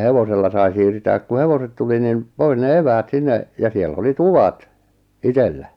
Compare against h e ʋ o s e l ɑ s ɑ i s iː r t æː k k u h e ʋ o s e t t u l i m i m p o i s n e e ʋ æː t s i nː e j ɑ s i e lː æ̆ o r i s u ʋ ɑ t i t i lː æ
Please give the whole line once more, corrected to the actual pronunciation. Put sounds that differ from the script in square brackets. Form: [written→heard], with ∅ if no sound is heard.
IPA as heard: h e ʋ o s e [l→lː] ɑ s ɑ i s iː r t æː k k u h e ʋ o s e t t u l i [m→n] i m p o i s n e e ʋ æː t s i nː e j ɑ s i e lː æ̆ o [r→l] i [s→t] u ʋ ɑ t i t [i→e] lː æ